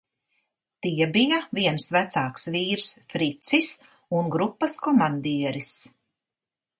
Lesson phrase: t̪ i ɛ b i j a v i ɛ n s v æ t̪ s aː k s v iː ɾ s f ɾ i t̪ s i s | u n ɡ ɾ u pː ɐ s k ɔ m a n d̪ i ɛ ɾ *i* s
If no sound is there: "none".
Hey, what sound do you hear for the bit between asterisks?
i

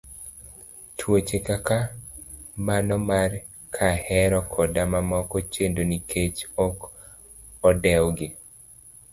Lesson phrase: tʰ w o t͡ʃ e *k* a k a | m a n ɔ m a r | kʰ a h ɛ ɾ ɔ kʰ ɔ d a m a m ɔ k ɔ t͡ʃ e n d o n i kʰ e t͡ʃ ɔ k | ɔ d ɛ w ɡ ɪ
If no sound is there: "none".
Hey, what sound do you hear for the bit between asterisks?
k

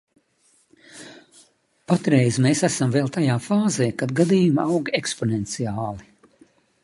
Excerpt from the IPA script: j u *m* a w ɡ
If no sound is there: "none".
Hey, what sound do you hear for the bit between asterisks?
m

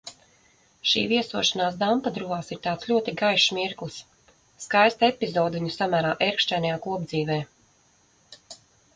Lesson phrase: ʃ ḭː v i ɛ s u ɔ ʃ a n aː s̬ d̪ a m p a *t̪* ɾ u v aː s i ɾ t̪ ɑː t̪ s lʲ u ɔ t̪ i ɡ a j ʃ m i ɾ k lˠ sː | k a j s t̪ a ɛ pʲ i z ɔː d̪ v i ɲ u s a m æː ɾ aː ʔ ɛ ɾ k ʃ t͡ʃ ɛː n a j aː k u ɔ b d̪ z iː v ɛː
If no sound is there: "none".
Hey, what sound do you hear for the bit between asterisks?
d̪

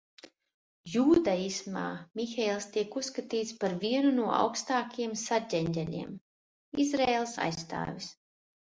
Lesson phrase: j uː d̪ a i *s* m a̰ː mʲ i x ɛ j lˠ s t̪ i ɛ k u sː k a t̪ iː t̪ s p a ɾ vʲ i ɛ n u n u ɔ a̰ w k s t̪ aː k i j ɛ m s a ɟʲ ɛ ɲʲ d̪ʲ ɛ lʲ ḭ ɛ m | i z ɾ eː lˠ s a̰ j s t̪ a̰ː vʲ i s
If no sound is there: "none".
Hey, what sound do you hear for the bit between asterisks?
s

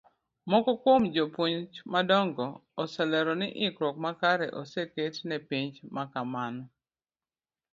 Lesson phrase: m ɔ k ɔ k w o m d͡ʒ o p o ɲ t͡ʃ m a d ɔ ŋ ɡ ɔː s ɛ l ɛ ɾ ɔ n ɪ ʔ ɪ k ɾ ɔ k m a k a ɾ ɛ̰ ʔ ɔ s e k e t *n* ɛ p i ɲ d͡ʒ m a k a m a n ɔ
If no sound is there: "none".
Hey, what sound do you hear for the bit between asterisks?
n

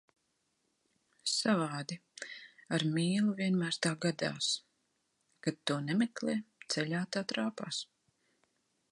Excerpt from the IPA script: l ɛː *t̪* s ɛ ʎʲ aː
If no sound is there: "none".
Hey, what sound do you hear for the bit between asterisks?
t̪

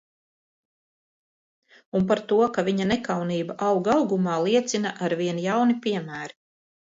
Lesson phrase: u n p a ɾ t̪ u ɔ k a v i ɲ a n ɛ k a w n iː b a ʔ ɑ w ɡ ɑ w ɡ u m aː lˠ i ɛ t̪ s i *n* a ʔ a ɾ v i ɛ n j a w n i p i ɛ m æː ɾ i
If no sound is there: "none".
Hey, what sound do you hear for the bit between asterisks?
n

